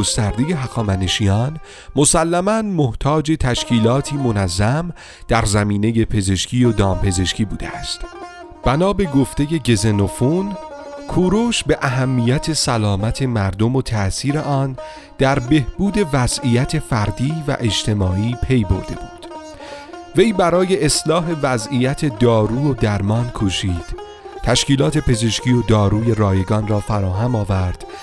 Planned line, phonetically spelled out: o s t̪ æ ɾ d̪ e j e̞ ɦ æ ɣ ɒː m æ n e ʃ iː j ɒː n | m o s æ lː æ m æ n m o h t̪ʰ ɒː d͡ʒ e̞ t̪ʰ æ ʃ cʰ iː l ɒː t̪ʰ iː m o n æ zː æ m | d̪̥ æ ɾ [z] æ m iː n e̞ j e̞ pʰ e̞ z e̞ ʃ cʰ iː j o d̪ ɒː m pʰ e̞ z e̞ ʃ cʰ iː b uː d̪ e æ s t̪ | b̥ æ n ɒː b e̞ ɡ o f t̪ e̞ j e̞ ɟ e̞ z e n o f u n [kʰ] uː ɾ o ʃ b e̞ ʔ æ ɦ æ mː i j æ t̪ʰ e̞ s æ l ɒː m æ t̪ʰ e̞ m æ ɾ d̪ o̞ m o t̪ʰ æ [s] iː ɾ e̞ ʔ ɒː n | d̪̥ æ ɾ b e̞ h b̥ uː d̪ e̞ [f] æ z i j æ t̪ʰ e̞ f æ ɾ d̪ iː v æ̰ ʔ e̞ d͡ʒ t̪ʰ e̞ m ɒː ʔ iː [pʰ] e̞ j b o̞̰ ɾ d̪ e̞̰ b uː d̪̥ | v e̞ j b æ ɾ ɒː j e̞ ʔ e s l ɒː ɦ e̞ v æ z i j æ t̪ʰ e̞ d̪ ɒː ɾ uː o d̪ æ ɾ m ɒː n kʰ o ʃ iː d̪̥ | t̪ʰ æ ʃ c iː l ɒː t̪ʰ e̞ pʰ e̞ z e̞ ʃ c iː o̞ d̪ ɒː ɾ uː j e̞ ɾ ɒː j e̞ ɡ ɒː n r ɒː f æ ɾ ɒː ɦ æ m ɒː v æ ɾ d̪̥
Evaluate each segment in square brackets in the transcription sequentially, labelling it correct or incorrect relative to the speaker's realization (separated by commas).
correct, correct, correct, incorrect, correct